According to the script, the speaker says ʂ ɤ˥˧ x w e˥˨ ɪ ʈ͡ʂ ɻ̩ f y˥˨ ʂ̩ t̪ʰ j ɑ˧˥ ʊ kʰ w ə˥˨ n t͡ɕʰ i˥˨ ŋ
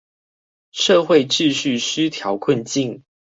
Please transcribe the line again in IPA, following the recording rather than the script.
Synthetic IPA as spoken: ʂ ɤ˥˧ x w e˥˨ ɪ ʈ͡ʂ ɻ̩ ɕ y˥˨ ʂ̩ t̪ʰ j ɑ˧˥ ʊ kʰ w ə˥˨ n t͡ɕ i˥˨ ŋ